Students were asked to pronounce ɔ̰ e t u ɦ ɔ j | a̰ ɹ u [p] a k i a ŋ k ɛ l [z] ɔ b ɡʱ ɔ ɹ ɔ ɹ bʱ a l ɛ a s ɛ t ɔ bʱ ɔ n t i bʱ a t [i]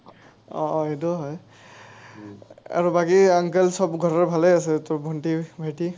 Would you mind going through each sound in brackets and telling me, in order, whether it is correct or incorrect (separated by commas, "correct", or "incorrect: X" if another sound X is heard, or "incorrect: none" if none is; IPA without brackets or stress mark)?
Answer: incorrect: b, incorrect: s, correct